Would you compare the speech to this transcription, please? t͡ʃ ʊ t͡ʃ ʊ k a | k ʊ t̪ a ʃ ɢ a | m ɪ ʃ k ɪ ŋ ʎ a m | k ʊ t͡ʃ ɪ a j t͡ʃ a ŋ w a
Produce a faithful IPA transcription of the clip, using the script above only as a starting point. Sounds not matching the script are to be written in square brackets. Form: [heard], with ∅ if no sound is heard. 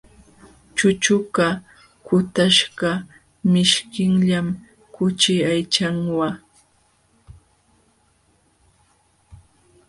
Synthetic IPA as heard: t͡ʃ ʊ t͡ʃ ʊ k a | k ʊ t̪ a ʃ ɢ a | m ɪ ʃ k ɪ ŋ ʎ a m | k ʊ t͡ʃ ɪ a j t͡ʃ a ŋ w a